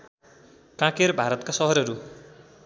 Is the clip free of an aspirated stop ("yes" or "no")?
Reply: yes